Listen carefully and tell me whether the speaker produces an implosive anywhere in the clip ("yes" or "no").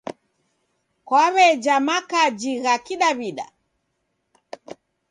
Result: yes